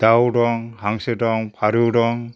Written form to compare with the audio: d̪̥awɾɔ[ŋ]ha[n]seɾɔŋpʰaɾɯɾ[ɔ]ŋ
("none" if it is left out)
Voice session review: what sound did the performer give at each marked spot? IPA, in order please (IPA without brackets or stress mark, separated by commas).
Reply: ŋ, ŋ, ɔ